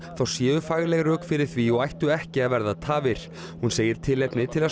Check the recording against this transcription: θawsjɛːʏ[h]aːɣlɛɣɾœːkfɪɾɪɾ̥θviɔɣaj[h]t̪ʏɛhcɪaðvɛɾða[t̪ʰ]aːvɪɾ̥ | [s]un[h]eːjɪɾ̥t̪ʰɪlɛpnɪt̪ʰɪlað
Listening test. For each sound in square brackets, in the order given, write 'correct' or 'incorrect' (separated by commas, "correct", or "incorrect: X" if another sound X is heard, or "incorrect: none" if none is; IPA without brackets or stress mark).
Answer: incorrect: f, correct, correct, incorrect: h, incorrect: s